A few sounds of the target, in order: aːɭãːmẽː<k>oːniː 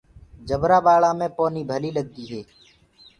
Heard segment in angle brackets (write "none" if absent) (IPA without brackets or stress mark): p